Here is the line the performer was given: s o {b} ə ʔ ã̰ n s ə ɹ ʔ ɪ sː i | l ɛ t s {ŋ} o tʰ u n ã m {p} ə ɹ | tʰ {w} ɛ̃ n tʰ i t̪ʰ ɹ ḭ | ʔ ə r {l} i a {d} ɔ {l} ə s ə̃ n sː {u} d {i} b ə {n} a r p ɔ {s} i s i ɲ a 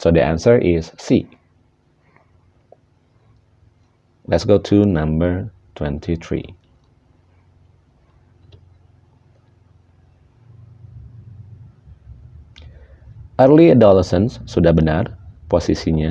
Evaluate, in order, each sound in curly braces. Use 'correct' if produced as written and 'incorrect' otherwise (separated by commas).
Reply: incorrect, incorrect, incorrect, correct, correct, correct, correct, correct, incorrect, correct, correct